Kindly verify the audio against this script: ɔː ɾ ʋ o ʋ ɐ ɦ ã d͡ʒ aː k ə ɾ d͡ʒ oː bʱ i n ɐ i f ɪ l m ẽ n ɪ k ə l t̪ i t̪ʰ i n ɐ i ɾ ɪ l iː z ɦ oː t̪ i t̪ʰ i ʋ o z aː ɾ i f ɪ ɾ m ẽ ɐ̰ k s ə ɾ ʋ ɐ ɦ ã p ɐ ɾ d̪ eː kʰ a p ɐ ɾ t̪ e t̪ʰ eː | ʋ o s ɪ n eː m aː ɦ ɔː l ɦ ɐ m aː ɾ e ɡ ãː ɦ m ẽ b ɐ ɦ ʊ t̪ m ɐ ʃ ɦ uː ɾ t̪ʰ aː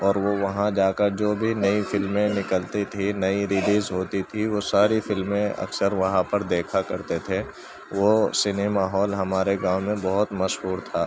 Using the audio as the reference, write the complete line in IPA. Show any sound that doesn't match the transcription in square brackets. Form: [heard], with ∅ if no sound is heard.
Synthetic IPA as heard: ɔː ɾ ʋ o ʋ ɐ ɦ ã d͡ʒ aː k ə ɾ d͡ʒ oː bʱ i n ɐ i f ɪ l m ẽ n ɪ k ə l t̪ i t̪ʰ i n ɐ i ɾ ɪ l iː z ɦ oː t̪ i t̪ʰ i ʋ o [s] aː ɾ i f ɪ [l] m ẽ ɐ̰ k s ə ɾ ʋ ɐ ɦ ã p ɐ ɾ d̪ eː kʰ a [k] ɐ ɾ t̪ e t̪ʰ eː | ʋ o s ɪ n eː m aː ɦ ɔː l ɦ ɐ m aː ɾ e ɡ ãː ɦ m ẽ b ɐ ɦ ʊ t̪ m ɐ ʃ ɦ uː ɾ t̪ʰ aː

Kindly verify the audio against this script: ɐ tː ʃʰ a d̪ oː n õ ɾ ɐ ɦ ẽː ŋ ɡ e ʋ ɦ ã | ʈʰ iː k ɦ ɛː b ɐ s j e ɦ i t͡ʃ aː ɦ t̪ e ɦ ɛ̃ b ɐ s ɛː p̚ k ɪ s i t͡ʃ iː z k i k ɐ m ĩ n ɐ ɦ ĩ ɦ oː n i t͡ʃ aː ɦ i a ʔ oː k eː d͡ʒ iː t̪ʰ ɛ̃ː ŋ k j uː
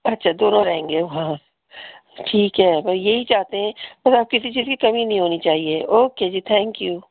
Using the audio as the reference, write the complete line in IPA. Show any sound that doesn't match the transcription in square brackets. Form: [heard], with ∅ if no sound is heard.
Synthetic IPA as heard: ɐ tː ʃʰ a d̪ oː n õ ɾ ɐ ɦ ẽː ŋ ɡ e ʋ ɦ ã | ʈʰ iː k ɦ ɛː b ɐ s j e ɦ i t͡ʃ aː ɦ t̪ e ɦ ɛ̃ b ɐ s [aː] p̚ k ɪ s i t͡ʃ iː z k i k ɐ m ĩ n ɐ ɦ ĩ ɦ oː n i t͡ʃ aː ɦ i [e] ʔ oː k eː d͡ʒ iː t̪ʰ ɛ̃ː ŋ k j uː

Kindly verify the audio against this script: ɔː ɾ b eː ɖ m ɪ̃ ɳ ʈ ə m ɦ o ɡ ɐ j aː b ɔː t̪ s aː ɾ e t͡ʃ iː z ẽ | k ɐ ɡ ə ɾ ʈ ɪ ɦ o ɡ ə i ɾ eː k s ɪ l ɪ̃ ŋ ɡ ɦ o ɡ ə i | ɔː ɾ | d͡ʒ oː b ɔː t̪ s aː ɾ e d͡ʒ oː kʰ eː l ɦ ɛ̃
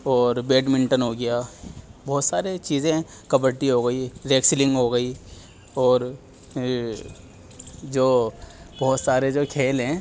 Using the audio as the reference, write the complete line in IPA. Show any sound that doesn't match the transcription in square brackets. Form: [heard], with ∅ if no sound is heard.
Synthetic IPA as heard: ɔː ɾ b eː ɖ m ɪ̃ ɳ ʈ ə [n] ɦ o ɡ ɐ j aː b ɔː t̪ s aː ɾ e t͡ʃ iː z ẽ | k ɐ [b] ə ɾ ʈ [i] ɦ o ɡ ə i ɾ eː k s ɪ l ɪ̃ ŋ ɡ ɦ o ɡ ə i | ɔː ɾ | d͡ʒ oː b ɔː t̪ s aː ɾ e d͡ʒ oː kʰ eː l ɦ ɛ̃

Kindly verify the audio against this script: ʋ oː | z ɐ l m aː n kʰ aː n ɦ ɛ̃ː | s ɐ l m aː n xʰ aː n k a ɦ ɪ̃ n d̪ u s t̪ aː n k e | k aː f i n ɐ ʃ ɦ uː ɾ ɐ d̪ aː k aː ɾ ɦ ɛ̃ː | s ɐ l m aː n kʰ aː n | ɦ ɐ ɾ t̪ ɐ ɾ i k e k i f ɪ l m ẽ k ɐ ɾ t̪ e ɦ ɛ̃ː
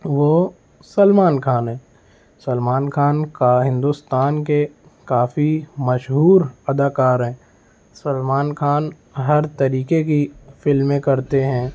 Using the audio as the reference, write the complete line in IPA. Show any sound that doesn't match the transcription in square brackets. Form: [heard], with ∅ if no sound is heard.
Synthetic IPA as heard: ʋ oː | [s] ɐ l m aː n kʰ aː n ɦ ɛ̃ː | s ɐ l m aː n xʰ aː n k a ɦ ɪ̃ n d̪ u s t̪ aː n k e | k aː f i [m] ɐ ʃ ɦ uː ɾ ɐ d̪ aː k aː ɾ ɦ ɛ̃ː | s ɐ l m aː n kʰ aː n | ɦ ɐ ɾ t̪ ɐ ɾ [iː] k e k i f ɪ l m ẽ k ɐ ɾ t̪ e ɦ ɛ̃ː

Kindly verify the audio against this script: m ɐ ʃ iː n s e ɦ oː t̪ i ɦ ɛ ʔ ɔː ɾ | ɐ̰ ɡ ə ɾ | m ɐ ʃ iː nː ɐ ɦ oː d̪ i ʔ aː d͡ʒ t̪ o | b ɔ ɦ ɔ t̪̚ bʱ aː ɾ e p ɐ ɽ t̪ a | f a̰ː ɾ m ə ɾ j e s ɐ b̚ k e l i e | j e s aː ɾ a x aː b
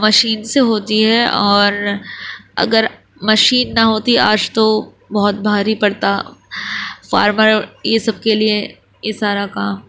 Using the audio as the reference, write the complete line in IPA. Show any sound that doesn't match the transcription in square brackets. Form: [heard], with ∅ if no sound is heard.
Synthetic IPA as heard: m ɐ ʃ iː n s e ɦ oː t̪ i ɦ ɛ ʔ ɔː ɾ | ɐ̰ ɡ ə ɾ | m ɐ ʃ iː nː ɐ ɦ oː [t̪] i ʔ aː d͡ʒ t̪ o | b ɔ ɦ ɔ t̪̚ bʱ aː ɾ [i] p ɐ ɽ t̪ a | f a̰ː ɾ m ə ɾ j e s ɐ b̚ k e l i e | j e s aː ɾ a [k] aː [m]

